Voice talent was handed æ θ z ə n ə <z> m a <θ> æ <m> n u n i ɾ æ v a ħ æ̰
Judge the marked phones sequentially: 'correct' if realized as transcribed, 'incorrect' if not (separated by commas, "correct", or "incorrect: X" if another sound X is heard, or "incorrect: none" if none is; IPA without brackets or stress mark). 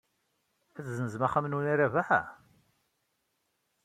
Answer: correct, incorrect: χ, correct